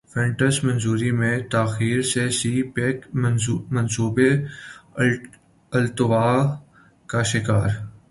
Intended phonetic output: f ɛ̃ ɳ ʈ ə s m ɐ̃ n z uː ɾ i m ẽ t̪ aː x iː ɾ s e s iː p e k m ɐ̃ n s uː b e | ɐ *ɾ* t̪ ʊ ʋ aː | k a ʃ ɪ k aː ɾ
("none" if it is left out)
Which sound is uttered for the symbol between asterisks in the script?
l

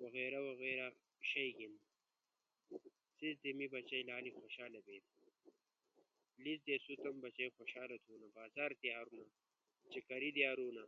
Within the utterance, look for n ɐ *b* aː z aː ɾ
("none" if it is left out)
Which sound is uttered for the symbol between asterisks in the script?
b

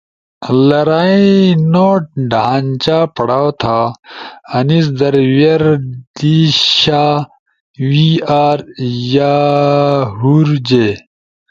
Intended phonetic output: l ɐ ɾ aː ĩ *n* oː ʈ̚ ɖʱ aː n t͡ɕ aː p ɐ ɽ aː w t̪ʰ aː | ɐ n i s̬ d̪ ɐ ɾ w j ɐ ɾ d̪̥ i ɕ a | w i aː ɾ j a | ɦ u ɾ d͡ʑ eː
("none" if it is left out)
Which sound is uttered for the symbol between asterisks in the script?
n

